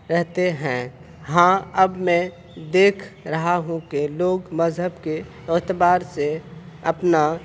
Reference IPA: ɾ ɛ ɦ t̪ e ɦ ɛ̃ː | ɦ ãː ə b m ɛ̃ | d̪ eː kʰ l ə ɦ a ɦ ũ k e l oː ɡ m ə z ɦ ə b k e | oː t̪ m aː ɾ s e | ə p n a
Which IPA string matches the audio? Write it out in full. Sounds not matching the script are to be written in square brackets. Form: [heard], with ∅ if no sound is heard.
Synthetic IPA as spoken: ɾ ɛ ɦ t̪ e ɦ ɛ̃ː | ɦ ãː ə b m ɛ̃ | d̪ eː kʰ [ɾ] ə ɦ a ɦ ũ k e l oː ɡ m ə z ɦ ə b k e | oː t̪ [b] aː ɾ s e | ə p n a